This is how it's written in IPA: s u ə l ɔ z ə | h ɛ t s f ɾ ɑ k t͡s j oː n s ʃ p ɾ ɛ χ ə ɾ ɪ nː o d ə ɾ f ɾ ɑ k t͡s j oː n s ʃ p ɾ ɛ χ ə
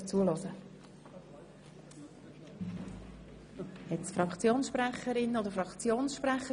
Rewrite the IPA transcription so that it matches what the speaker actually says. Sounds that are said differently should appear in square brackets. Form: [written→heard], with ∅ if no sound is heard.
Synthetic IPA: [s→t͡s] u ə l ɔ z ə | h ɛ t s f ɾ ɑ k t͡s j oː n s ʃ p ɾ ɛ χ ə ɾ ɪ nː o d ə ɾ f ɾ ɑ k t͡s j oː n s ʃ p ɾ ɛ χ ə